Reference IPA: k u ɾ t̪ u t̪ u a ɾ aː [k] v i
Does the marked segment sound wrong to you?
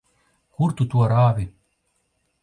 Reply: yes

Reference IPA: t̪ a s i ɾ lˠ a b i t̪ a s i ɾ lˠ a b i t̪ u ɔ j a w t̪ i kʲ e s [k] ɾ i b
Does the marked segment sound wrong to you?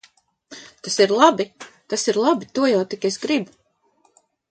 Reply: yes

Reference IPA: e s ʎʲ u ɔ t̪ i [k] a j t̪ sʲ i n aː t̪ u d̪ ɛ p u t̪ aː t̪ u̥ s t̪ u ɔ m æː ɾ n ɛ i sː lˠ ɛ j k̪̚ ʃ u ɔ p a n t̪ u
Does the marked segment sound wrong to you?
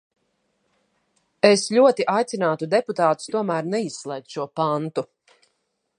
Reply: yes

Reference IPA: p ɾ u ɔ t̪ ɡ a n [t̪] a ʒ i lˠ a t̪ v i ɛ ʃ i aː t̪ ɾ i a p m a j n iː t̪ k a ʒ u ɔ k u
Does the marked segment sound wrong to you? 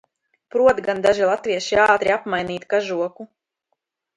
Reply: yes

